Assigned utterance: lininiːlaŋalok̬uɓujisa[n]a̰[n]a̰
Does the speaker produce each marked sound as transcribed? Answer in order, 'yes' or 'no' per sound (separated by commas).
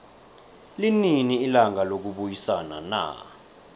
yes, yes